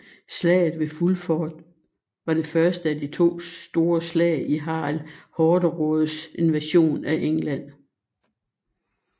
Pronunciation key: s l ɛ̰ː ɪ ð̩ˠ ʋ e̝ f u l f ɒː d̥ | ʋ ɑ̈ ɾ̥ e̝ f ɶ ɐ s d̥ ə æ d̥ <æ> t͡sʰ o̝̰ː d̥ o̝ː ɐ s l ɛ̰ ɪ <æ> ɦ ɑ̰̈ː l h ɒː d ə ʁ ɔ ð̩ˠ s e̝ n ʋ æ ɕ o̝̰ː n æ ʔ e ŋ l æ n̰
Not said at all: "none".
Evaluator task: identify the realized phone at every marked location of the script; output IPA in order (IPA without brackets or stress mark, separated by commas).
i, i